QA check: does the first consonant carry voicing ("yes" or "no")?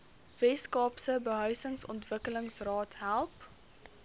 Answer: yes